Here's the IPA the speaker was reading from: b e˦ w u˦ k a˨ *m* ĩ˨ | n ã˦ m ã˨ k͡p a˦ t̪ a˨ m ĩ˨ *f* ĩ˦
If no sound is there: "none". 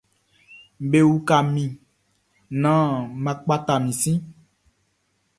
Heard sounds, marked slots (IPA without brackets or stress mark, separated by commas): m, s